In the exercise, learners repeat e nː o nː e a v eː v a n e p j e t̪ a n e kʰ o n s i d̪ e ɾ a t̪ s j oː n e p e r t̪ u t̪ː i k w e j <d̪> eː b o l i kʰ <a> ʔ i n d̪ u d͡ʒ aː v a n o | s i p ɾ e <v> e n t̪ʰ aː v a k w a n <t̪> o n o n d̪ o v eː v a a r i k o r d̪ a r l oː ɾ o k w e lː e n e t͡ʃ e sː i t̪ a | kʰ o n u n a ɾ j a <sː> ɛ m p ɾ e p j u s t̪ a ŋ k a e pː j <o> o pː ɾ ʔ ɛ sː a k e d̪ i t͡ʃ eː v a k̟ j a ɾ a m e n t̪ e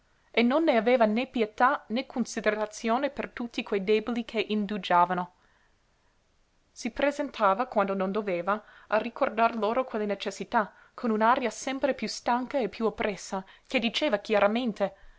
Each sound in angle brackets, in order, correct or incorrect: correct, incorrect: e, incorrect: z, incorrect: d̪, incorrect: s, incorrect: u

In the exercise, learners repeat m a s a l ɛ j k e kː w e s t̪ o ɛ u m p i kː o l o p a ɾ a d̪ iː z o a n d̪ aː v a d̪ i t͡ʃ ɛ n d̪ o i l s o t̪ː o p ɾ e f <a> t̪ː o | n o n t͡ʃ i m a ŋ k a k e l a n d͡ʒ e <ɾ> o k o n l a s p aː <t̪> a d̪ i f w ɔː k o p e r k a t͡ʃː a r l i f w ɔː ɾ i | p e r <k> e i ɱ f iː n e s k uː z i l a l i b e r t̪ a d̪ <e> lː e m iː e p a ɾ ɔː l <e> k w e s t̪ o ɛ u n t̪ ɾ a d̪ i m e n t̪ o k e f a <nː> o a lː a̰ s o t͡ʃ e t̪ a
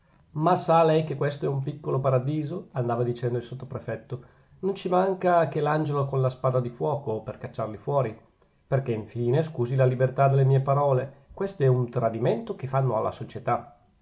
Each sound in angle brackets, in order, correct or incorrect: incorrect: ɛ, incorrect: l, incorrect: d̪, correct, correct, correct, correct

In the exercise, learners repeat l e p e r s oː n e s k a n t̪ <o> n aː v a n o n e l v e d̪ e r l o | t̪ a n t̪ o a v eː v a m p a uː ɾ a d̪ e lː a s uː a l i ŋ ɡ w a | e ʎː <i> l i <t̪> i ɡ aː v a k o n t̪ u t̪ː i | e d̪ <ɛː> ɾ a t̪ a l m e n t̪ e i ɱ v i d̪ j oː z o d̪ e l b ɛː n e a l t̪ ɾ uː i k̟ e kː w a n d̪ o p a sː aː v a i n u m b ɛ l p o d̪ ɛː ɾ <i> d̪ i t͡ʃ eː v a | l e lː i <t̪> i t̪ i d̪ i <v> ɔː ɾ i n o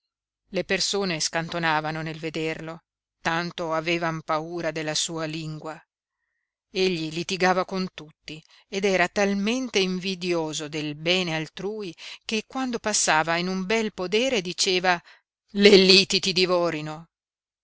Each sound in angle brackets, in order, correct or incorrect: correct, correct, correct, correct, incorrect: e, correct, correct

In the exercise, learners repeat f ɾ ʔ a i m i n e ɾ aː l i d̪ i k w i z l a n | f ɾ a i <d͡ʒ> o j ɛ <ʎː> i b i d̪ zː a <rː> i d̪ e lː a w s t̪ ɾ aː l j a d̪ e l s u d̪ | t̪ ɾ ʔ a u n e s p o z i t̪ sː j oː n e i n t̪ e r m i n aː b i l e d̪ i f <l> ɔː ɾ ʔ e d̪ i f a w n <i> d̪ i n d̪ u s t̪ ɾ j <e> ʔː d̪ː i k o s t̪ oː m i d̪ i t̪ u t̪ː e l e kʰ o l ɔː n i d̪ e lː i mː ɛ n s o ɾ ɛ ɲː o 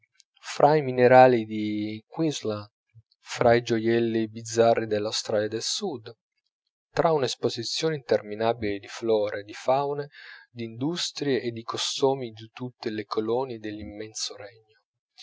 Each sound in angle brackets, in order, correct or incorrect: correct, incorrect: lː, correct, correct, incorrect: e, correct

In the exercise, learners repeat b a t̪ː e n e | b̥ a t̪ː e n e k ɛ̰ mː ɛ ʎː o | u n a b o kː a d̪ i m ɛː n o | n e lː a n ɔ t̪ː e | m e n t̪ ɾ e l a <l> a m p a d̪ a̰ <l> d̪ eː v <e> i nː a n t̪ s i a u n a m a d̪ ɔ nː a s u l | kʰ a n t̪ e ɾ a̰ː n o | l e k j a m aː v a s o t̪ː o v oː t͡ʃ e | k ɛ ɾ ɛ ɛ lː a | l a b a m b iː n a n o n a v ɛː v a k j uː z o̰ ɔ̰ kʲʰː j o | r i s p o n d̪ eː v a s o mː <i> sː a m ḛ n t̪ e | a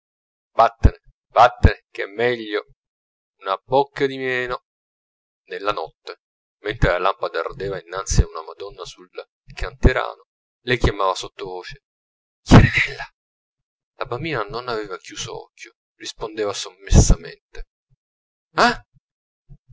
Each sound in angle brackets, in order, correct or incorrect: correct, incorrect: r, incorrect: a, incorrect: e

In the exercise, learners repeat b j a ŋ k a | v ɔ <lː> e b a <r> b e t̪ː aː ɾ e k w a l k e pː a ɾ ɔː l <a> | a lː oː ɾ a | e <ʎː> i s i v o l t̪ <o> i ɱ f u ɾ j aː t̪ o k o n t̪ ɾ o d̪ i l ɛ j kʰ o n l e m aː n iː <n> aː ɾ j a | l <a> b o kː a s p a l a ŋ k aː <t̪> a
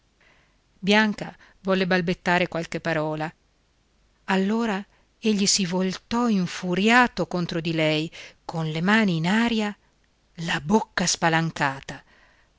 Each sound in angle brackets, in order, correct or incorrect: correct, incorrect: l, correct, correct, incorrect: ɔ, correct, correct, correct

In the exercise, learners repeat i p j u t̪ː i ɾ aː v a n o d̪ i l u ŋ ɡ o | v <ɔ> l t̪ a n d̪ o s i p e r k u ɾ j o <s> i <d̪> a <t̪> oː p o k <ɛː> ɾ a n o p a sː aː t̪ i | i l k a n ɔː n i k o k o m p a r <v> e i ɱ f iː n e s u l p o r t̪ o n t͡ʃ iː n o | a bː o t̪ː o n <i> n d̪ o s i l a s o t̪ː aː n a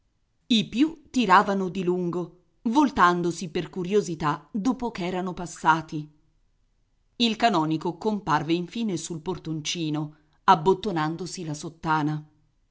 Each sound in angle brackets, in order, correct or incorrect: incorrect: o, incorrect: z, incorrect: t̪, incorrect: d̪, correct, correct, incorrect: a

